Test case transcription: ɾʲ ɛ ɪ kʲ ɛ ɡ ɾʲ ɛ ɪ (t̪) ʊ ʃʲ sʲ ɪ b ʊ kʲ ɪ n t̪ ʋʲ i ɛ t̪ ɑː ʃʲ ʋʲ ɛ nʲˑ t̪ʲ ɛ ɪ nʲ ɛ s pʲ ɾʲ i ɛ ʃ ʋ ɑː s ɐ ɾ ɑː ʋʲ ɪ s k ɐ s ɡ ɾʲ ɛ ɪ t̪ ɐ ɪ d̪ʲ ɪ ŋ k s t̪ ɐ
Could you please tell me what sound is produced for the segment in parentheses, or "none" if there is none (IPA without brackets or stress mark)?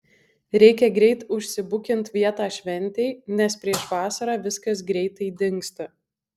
t̪